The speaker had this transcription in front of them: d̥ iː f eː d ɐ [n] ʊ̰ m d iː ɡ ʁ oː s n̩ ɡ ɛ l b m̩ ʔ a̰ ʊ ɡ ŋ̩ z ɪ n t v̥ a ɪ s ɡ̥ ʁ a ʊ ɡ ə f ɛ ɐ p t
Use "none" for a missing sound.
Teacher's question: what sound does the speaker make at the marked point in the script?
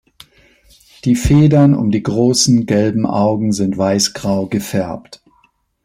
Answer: n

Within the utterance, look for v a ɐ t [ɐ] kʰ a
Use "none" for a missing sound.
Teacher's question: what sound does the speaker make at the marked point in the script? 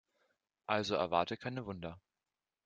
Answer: ə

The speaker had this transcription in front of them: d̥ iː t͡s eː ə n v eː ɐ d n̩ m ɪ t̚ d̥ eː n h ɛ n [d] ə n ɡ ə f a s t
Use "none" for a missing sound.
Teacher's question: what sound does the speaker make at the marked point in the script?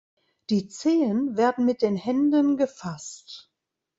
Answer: d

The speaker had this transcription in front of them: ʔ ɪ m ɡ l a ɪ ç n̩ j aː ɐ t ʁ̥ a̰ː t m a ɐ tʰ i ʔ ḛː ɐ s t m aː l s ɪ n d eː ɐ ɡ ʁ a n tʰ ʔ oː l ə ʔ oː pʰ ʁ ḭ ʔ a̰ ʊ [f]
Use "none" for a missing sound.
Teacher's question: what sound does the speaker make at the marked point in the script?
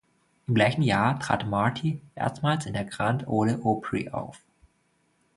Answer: f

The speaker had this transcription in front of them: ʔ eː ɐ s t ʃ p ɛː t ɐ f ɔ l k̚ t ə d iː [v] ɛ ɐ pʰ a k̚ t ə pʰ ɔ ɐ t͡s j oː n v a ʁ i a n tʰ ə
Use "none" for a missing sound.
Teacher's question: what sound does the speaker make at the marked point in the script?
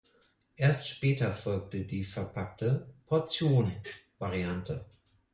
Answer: f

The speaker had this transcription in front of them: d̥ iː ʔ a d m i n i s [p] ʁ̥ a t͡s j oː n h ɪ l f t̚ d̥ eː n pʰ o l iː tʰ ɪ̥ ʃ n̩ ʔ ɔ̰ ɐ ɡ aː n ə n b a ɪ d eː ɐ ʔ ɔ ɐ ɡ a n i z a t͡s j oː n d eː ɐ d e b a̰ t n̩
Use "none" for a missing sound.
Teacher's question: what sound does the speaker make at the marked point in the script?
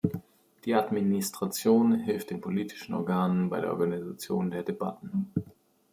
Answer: t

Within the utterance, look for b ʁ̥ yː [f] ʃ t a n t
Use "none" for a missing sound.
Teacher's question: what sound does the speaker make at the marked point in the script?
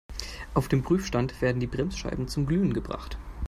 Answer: f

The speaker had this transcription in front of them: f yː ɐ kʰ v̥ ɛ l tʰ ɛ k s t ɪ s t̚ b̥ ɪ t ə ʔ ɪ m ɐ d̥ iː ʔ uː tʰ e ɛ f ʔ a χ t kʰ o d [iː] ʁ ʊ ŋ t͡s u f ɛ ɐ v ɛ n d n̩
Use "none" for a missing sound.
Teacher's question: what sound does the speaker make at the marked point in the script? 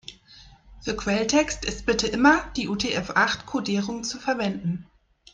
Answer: iː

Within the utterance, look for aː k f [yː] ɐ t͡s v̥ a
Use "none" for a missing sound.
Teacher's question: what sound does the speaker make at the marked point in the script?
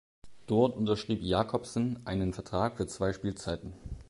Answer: yː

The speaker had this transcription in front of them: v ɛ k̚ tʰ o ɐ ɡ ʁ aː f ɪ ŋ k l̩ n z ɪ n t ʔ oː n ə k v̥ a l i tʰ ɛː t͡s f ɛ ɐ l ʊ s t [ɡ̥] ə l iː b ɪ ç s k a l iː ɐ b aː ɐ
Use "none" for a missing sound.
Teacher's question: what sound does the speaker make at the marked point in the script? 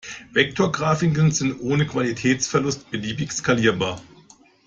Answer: b̥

